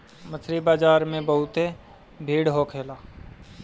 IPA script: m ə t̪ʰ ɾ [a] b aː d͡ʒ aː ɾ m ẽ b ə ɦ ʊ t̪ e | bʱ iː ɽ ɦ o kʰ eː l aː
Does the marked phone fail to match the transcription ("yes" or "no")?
yes